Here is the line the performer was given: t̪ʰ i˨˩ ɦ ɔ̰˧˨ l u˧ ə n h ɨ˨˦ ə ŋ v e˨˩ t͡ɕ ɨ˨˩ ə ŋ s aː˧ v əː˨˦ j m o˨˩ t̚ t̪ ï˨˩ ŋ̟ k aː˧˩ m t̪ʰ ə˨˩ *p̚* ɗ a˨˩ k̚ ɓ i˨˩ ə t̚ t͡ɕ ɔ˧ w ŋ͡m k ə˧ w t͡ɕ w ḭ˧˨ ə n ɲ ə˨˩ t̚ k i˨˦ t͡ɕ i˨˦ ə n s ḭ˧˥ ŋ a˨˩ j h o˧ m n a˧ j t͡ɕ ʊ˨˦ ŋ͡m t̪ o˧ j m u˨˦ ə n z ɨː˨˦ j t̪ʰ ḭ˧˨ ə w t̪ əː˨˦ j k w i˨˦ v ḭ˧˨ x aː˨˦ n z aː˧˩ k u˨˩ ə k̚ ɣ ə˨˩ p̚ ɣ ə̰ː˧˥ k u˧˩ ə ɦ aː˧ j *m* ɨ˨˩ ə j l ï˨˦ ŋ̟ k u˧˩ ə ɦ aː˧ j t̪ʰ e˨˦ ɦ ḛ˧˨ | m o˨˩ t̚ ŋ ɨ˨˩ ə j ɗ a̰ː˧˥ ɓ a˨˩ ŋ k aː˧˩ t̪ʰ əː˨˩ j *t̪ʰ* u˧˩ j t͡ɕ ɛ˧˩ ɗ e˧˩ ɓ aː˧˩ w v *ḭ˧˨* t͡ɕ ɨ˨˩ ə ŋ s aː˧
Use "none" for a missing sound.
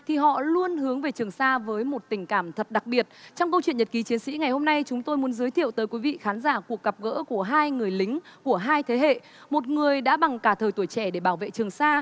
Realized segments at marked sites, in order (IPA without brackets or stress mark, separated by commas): t̚, ŋ, t̪, ḛ˧˨